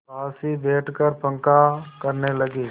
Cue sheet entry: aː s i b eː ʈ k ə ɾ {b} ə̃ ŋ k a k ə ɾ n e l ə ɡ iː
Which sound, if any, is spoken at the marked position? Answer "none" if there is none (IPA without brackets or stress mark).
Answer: p